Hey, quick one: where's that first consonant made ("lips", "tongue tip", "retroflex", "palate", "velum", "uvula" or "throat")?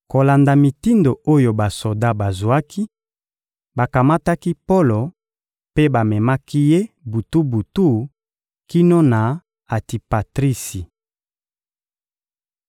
velum